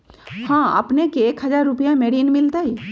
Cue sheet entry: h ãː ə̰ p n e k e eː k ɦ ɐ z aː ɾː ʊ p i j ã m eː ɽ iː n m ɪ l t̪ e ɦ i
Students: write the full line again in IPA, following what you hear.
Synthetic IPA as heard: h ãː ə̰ p n e k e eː k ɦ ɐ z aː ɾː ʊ p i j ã m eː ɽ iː n m ɪ l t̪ a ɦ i